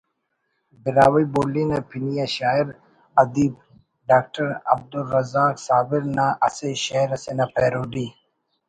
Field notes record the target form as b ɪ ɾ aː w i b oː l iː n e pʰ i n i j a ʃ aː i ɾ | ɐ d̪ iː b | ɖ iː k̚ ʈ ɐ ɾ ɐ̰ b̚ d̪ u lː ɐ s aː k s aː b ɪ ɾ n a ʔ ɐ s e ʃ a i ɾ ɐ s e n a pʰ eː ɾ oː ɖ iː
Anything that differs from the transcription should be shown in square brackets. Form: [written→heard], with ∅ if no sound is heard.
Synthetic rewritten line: b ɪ ɾ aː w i b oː l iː n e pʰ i n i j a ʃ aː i ɾ | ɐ d̪ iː b | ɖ [iː→aː] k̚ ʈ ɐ ɾ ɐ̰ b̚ d̪ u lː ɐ [s→z] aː k s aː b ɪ ɾ n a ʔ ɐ s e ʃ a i ɾ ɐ s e n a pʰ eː ɾ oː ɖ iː

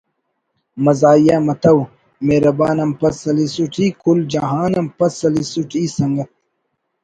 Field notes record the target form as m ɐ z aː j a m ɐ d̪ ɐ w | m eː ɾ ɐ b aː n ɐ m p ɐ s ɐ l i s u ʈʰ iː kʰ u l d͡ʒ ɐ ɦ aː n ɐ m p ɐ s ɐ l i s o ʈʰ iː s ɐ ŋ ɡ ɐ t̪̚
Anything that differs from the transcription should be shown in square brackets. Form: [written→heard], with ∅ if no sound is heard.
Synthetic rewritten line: m ɐ z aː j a m ɐ [d̪→t̪] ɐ w | m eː ɾ ɐ b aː n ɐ m p ɐ s ɐ l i s u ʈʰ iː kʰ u l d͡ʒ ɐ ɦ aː n ɐ m p ɐ s ɐ l i s [o→u] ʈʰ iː s ɐ ŋ ɡ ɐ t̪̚

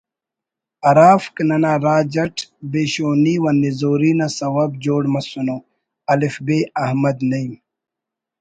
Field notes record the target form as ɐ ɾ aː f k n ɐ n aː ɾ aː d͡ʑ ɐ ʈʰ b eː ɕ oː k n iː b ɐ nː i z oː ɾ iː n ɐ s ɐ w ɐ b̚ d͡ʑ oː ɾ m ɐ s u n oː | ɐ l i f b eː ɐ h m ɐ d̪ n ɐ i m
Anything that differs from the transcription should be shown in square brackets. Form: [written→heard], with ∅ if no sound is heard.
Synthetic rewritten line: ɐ ɾ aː f k n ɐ n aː ɾ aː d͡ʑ ɐ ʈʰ b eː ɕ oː [k→∅] n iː [b→w] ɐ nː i z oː ɾ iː n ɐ s ɐ w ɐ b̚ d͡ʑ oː [ɾ→ɽ] m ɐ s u n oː | ɐ l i f b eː ɐ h m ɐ d̪ n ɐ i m

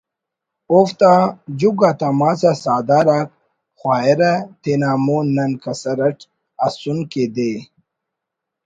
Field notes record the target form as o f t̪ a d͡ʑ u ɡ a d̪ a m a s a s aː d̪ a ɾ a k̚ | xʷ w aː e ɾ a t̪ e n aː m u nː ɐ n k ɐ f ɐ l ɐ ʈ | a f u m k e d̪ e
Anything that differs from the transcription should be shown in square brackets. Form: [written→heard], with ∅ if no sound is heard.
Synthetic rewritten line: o f t̪ a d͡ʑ u ɡ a [d̪→t̪] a m a s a s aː d̪ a ɾ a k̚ | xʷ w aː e ɾ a t̪ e n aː m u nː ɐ n k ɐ [f→s] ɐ [l→ɾ] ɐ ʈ | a [f→s] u [m→n] k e d̪ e

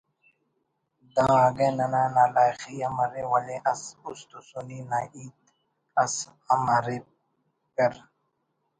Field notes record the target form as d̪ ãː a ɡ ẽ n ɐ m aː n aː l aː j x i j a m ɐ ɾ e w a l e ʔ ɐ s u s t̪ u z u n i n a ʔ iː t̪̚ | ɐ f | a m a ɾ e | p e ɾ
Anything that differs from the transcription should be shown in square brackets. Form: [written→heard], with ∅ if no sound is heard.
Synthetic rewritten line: d̪ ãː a ɡ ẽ n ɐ [m→n] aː n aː l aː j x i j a m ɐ ɾ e w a l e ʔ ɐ s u s t̪ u [z→s] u n i n a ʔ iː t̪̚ | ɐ [f→s] | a m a ɾ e | p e ɾ

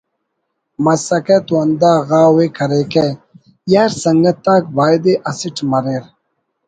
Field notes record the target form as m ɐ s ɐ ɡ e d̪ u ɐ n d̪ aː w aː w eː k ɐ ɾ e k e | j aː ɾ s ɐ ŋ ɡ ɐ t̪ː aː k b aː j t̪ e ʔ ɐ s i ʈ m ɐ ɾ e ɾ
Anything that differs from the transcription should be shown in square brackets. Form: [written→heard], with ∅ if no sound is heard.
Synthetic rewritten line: m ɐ s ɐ [ɡ→k] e [d̪→t̪] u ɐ n d̪ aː [w→ɣ] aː w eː k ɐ ɾ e k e | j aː ɾ s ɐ ŋ ɡ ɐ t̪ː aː k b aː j [t̪→d̪] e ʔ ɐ s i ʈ m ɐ ɾ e ɾ

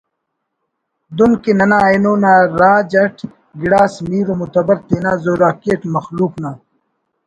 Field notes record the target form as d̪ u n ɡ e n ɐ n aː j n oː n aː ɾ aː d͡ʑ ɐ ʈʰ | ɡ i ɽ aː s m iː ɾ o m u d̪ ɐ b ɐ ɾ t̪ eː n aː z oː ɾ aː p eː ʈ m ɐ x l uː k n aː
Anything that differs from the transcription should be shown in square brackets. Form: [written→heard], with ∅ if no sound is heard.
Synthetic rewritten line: d̪ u n [ɡ→k] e n ɐ n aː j n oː n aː ɾ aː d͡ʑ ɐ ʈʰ | ɡ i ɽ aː s m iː ɾ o m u [d̪→t̪] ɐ b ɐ ɾ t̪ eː n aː z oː ɾ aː [p→k] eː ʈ m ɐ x l uː k n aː

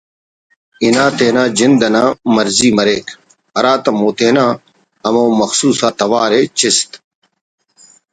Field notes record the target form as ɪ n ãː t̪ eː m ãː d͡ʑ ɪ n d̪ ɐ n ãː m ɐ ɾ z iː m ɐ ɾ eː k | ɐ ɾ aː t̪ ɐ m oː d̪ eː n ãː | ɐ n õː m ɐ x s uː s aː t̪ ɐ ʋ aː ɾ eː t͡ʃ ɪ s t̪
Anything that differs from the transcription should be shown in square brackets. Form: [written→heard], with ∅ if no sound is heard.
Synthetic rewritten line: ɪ n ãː t̪ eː [m→n] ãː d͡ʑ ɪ n d̪ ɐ n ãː m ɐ ɾ z iː m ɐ ɾ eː k | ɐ ɾ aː t̪ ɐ m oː [d̪→t̪] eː n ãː | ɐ [n→m] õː m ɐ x s uː s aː t̪ ɐ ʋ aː ɾ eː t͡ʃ ɪ s t̪

